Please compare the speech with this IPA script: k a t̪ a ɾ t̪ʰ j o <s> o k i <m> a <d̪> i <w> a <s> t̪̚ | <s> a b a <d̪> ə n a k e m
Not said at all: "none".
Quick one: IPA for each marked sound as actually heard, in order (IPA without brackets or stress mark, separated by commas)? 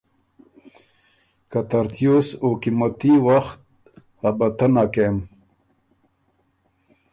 s, m, t̪, w, x, h, t̪